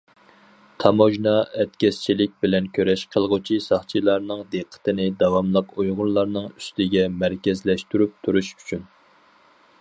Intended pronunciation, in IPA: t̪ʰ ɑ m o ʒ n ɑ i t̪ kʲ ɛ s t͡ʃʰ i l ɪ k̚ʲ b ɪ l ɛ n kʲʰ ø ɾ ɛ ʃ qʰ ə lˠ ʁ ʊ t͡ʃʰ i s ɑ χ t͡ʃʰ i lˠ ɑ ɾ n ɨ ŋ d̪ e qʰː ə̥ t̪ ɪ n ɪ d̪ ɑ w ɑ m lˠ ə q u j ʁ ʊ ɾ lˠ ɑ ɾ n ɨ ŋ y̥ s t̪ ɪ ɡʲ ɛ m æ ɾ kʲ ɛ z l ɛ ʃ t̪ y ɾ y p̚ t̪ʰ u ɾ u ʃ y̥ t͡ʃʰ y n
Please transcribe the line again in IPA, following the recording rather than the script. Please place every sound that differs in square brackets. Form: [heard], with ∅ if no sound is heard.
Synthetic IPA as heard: t̪ʰ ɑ m o ʒ n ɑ [ɛ] t̪ kʲ ɛ s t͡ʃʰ i l ɪ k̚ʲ b ɪ l ɛ n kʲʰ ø ɾ ɛ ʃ qʰ ə lˠ ʁ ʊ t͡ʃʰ i s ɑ χ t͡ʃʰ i lˠ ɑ ɾ n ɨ ŋ d̪ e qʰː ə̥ t̪ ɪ n ɪ d̪ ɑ w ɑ m lˠ ə q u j ʁ ʊ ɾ lˠ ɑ ɾ n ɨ ŋ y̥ s t̪ ɪ ɡʲ ɛ m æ ɾ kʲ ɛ z l ɛ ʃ t̪ y ɾ y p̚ t̪ʰ u ɾ u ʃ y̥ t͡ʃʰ y n